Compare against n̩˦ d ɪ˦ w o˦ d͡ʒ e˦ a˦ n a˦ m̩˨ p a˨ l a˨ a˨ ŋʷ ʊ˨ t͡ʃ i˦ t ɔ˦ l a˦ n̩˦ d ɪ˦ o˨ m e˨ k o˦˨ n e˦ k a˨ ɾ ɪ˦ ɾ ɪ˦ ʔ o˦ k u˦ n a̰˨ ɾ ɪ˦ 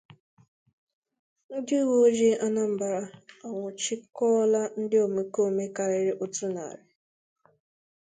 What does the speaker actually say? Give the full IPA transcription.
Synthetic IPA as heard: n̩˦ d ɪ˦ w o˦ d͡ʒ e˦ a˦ n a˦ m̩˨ b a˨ ɾ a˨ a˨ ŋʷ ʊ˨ t͡ʃ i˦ k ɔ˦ l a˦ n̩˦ d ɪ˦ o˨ m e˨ k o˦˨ m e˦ k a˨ ɾ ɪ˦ ɾ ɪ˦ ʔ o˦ t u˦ n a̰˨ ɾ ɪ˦